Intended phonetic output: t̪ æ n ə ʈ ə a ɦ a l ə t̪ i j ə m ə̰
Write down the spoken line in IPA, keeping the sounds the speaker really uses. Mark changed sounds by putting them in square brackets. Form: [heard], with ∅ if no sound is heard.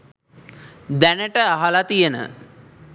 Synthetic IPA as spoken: [d̪] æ n ə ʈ ə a ɦ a l [a] t̪ i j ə [n] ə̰